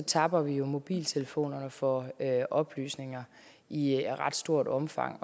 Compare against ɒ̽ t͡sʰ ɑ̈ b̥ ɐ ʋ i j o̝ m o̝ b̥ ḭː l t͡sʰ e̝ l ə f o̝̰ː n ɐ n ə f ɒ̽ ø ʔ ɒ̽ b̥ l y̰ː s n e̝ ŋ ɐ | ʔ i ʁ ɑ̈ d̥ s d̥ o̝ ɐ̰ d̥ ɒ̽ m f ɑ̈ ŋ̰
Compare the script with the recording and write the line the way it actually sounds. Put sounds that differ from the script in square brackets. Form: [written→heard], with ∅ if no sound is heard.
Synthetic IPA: ɒ̽ t͡sʰ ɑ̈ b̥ ɐ ʋ i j o̝ m o̝ b̥ ḭː l t͡sʰ e̝ l ə f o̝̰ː n ɐ n ə f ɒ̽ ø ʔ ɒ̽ b̥ l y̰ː s n e̝ ŋ ɐ | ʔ i ʁ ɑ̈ d̥ s d̥ o̝ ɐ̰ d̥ ɒ̽ m f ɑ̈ ŋ̰